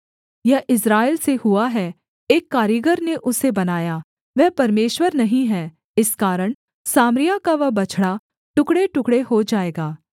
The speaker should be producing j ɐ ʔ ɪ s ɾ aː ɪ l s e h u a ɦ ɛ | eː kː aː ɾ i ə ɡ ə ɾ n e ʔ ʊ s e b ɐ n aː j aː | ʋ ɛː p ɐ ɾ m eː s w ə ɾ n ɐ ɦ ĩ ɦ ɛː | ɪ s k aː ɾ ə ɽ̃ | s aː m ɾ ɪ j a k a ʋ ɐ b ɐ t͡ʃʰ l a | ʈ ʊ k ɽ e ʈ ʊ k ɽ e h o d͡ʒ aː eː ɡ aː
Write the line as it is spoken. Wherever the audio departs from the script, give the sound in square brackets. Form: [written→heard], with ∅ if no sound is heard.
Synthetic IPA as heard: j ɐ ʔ ɪ s ɾ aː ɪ l s e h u a ɦ ɛ | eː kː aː ɾ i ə ɡ ə ɾ n e ʔ ʊ s e b ɐ n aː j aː | ʋ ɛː p ɐ ɾ m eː [s→ʃ] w ə ɾ n ɐ ɦ ĩ ɦ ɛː | ɪ s k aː ɾ ə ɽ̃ | s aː m ɾ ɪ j a k a ʋ ɐ b ɐ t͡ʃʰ [l→ɽ] a | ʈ ʊ k ɽ e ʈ ʊ k ɽ e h o d͡ʒ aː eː ɡ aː